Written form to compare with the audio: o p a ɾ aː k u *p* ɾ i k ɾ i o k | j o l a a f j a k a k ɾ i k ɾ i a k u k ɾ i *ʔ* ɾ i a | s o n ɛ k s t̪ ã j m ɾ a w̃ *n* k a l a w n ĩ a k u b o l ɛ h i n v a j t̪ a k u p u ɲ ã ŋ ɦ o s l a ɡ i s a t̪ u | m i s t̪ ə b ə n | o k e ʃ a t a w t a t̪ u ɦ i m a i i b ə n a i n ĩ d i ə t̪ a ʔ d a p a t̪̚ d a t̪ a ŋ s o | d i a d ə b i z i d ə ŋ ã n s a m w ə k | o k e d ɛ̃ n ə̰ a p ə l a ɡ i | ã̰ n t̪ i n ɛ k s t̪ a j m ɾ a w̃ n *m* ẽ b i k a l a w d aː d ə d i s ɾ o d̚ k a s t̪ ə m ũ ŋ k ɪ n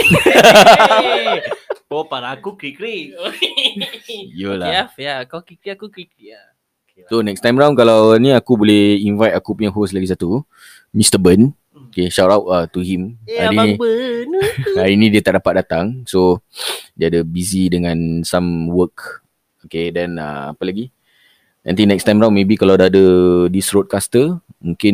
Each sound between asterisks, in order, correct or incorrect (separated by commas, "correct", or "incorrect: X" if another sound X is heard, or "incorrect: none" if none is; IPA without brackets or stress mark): incorrect: k, incorrect: k, correct, correct